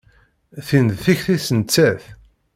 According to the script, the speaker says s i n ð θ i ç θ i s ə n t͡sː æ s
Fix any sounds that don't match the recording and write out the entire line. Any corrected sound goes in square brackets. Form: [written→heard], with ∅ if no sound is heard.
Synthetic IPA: [s→θ] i n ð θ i ç θ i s ə n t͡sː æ [s→θ]